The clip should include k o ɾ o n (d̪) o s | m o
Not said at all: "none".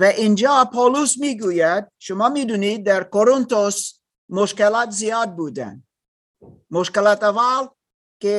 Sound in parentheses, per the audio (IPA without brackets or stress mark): t̪